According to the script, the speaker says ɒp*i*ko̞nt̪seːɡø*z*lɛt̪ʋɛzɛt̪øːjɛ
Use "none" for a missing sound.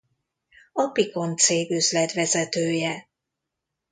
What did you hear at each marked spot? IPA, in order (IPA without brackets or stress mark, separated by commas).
i, z